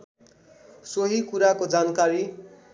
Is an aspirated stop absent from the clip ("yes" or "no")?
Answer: yes